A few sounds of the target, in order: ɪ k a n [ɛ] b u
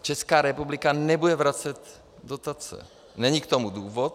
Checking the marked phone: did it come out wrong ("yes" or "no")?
no